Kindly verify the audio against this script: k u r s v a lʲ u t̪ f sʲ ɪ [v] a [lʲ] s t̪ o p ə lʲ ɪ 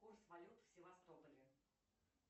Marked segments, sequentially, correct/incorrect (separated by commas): correct, incorrect